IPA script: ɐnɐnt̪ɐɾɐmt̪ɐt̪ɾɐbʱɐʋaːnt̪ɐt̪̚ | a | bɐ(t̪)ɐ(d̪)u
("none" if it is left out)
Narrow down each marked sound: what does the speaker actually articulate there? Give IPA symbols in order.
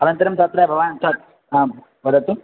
d̪, t̪

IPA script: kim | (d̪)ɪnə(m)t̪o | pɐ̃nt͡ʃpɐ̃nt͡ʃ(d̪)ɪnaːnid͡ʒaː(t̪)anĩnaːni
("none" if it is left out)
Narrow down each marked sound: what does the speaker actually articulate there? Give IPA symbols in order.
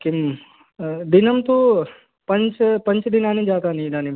d̪, m, d̪, t̪

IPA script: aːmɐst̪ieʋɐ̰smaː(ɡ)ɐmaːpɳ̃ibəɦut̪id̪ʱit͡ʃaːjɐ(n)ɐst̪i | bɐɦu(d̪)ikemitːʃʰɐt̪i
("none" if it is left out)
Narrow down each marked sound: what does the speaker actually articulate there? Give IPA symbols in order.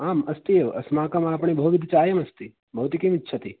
k, m, t̪

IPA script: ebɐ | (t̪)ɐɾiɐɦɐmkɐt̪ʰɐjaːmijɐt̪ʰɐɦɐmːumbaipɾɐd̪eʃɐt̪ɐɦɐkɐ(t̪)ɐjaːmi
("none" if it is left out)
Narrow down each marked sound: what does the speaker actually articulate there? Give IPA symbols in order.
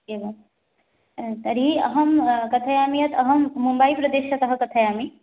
t̪, t̪ʰ

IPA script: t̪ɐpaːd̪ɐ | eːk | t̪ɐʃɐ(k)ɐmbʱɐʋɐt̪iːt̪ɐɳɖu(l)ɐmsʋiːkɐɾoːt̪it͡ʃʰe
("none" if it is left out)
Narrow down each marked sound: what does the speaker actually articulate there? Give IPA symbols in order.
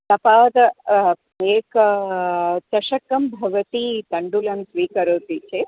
k, l

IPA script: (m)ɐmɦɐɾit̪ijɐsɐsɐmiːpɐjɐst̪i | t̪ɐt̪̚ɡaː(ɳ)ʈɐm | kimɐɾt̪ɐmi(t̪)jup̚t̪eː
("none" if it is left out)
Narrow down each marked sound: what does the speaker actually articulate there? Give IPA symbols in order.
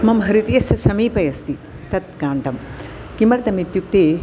m, ɳ, t̪

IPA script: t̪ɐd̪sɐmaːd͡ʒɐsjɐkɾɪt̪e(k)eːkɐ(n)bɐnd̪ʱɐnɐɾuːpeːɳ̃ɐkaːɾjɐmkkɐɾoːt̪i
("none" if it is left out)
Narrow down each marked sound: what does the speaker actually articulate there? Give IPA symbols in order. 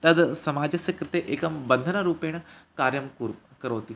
ʔ, m

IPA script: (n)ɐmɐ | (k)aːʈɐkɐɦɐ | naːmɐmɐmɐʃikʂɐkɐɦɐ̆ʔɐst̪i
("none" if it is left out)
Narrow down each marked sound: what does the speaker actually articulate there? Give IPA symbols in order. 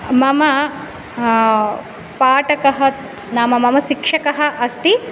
m, p

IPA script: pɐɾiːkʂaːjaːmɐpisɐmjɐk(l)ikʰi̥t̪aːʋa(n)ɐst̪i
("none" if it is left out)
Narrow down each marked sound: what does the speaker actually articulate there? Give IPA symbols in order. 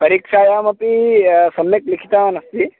l, n

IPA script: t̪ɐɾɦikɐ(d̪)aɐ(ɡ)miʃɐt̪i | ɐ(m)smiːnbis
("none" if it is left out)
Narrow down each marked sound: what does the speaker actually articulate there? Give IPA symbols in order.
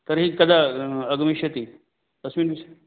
d̪, ɡ, none

